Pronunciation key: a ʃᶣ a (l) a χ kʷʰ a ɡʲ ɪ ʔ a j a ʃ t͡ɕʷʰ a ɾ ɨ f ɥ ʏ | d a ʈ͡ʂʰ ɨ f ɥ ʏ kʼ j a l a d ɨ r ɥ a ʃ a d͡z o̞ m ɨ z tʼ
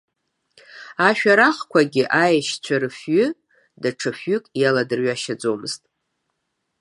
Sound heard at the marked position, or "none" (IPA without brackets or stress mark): ɾ